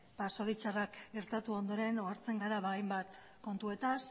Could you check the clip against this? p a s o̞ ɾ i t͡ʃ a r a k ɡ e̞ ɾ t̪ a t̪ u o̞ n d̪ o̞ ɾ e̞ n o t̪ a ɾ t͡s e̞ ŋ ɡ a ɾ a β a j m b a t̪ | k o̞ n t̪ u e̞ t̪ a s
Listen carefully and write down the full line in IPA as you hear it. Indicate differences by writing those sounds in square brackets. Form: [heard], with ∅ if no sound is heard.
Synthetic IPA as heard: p a s o̞ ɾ i t͡ʃ a r a k ɡ e̞ ɾ t̪ a t̪ u o̞ n d̪ o̞ ɾ e̞ n o [∅] a ɾ t͡s e̞ ŋ ɡ a ɾ a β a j m b a t̪ | k o̞ n t̪ u e̞ t̪ a s